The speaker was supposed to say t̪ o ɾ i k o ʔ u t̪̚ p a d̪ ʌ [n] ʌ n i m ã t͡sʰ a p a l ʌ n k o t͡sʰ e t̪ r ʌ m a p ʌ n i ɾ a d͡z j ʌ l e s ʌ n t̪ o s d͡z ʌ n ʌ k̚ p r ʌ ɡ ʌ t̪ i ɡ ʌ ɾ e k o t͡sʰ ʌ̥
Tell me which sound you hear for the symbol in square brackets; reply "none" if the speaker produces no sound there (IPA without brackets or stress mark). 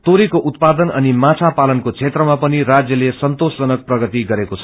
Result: n